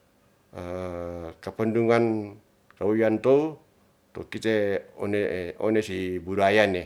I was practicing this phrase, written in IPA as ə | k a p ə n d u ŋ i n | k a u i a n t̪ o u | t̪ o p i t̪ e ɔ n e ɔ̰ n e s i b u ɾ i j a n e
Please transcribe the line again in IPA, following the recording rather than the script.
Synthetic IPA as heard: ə | k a p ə n d u ŋ a n | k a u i a n t̪ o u | t̪ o k i t̪ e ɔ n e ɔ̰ n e s i b u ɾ a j a n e